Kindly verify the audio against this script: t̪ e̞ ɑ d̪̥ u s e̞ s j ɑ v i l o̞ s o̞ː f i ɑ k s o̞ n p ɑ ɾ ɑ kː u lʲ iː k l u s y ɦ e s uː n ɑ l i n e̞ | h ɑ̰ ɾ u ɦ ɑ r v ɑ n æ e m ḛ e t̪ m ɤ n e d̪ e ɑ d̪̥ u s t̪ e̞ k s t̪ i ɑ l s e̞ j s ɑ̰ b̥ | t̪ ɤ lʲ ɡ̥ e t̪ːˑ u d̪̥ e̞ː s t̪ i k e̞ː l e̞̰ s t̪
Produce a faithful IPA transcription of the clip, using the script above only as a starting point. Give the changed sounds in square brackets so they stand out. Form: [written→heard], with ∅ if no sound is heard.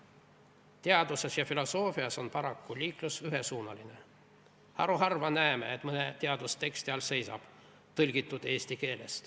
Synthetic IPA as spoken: t̪ e̞ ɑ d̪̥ u s e̞ s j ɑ [v→f] i l o̞ s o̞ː f i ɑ [k→∅] s o̞ n p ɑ ɾ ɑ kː u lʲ iː k l u s y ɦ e s uː n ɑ l i n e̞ | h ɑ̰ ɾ u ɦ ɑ r v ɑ n æ e m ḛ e t̪ m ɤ n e [d̪→t̪] e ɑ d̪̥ u s t̪ e̞ k s t̪ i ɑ l s e̞ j s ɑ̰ b̥ | t̪ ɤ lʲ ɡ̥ [e→i] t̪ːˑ u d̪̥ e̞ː s t̪ i k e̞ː l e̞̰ s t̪